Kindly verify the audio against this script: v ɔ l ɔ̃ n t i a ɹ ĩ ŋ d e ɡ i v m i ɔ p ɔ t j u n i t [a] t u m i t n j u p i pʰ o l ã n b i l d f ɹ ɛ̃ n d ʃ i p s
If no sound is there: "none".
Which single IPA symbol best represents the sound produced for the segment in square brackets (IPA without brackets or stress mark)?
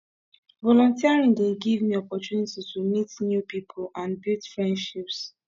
i